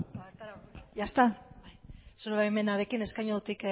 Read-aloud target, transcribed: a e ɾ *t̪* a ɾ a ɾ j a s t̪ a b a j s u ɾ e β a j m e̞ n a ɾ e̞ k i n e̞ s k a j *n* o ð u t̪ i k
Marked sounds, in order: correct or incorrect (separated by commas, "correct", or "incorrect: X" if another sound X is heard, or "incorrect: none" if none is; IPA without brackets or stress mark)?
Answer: correct, incorrect: ɲ